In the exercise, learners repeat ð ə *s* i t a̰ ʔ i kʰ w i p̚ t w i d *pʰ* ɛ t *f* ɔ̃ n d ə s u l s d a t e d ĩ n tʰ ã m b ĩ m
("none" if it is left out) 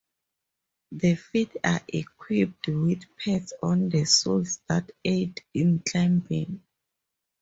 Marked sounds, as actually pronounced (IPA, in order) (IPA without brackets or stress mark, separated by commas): f, pʰ, s